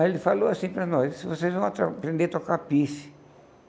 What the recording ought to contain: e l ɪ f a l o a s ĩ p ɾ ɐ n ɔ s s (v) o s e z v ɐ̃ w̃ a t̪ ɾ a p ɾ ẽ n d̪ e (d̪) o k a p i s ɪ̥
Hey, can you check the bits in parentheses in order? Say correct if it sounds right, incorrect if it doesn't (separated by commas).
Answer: correct, incorrect